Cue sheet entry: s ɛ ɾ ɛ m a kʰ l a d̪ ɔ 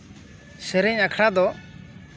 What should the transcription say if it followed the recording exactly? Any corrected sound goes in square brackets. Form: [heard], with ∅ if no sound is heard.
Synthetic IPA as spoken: s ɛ ɾ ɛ [ɲ] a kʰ [ɽ] a d̪ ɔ